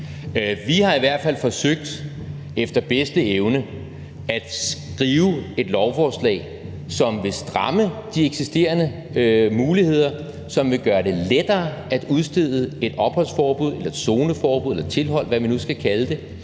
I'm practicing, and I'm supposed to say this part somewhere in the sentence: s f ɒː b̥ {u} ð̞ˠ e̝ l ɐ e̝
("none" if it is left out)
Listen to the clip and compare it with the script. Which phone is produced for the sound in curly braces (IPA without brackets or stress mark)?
u